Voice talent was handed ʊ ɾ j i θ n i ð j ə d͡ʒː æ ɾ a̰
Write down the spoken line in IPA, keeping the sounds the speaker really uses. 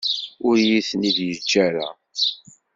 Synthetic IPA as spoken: ʊ ɾ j i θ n i ð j ə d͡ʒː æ ɾ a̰